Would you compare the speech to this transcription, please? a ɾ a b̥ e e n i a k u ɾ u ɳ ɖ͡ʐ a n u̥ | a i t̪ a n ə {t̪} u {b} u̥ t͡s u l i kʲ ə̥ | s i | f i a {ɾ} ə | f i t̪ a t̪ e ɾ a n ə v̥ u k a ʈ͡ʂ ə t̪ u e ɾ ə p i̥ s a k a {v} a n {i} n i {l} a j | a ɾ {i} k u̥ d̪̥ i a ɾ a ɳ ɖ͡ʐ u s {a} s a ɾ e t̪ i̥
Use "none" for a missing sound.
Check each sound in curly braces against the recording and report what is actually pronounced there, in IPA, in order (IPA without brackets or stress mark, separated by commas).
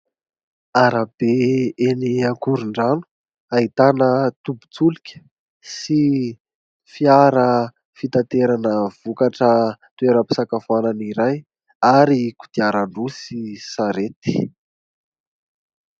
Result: t̪, b, ɾ, f, a, ɾ, i, i